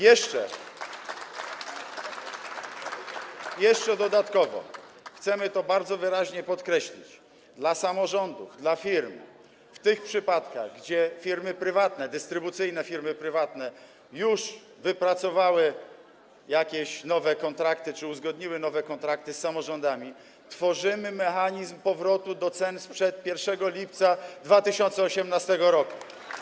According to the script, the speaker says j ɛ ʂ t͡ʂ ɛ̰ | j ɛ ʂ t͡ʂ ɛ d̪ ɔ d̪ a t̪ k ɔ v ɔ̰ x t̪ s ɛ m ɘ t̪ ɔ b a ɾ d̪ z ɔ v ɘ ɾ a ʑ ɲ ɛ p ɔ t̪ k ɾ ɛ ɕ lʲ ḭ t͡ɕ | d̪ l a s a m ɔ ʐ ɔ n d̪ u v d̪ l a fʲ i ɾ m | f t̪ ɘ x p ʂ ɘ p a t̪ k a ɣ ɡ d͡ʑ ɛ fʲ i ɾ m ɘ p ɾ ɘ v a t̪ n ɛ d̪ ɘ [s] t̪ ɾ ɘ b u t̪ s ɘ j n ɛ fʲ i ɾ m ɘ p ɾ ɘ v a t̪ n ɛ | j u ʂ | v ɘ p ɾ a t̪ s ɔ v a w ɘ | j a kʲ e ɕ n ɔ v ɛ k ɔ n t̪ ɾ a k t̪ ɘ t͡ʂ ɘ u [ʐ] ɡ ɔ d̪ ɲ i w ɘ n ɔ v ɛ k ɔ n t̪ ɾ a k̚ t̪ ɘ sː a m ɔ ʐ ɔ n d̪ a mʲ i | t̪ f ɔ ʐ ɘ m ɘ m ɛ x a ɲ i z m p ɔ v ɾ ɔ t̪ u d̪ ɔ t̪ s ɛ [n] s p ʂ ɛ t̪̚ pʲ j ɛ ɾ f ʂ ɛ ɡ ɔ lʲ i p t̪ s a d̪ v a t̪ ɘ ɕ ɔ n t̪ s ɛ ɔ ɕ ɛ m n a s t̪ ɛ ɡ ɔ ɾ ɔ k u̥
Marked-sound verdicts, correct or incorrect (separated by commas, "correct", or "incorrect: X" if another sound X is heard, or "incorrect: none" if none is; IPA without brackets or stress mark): correct, incorrect: z, correct